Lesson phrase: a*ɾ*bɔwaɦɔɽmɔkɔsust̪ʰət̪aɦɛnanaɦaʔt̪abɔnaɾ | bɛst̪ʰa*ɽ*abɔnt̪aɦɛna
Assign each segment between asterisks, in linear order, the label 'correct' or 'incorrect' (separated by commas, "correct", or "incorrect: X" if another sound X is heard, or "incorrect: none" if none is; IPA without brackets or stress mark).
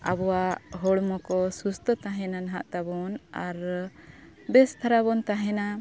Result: incorrect: none, incorrect: ɾ